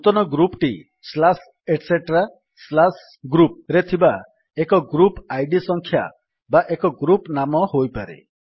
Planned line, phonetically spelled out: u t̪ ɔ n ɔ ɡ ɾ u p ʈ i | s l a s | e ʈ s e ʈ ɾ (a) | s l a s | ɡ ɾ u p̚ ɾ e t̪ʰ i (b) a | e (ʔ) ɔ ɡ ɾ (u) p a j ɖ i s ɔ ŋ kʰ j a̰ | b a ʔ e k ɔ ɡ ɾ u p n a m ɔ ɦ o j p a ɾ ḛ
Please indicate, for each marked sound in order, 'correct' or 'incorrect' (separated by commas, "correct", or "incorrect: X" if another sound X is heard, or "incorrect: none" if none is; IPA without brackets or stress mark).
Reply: correct, correct, incorrect: k, correct